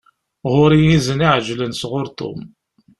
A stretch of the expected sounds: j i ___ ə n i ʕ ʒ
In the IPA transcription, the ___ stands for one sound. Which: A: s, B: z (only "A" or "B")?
B